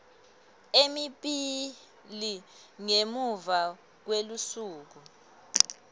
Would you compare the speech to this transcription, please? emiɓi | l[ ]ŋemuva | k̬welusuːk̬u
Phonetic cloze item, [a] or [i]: i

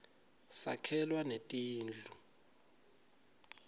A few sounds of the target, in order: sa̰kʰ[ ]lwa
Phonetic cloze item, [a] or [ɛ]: ɛ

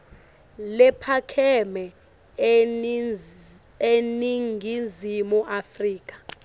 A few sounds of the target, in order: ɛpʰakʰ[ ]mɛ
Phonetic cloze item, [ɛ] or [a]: ɛ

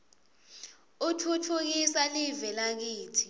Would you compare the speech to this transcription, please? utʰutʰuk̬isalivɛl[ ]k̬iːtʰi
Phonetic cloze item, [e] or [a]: a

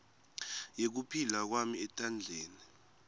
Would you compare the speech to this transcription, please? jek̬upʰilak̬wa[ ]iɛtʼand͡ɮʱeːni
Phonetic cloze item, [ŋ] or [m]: m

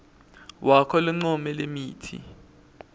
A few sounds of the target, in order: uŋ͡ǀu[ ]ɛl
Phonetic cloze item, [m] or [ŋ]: m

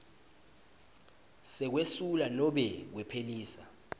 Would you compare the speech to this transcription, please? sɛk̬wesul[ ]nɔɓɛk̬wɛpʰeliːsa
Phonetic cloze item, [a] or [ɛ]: a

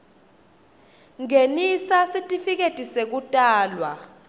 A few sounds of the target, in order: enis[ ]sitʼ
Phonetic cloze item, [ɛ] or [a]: a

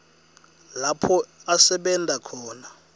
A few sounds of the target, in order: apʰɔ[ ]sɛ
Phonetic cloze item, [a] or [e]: a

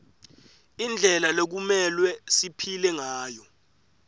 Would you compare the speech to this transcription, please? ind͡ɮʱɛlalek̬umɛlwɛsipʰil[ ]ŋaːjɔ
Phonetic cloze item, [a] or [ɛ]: ɛ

